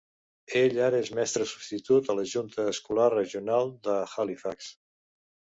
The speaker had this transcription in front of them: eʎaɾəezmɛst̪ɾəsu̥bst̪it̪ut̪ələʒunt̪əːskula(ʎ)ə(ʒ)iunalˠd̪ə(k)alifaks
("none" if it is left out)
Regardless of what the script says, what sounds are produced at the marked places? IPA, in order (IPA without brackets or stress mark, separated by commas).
r, ʒ, x